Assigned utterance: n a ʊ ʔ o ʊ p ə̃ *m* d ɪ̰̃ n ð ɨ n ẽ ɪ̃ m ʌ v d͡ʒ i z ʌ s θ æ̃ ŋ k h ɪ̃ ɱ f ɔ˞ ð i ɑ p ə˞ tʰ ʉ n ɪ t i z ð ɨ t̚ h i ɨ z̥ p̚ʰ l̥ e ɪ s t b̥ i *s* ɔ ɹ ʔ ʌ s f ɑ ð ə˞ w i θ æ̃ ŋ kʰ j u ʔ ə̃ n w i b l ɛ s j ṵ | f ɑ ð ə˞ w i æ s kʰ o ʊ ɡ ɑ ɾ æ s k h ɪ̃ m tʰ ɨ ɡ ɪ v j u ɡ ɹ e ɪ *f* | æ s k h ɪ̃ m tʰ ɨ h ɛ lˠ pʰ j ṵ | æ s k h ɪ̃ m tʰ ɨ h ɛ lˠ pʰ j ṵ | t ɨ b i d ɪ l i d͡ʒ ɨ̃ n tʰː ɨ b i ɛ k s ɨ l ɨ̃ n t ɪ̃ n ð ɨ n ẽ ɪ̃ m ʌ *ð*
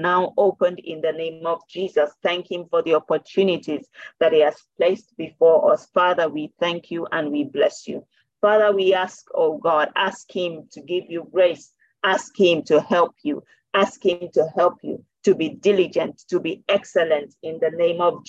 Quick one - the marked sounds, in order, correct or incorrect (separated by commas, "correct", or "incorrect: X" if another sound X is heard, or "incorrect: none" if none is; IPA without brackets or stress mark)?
incorrect: n, incorrect: f, incorrect: s, incorrect: v